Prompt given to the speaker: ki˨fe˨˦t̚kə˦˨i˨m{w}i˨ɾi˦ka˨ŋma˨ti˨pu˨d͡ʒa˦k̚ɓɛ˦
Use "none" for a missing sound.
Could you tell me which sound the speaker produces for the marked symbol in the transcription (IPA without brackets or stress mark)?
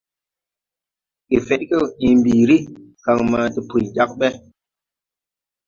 b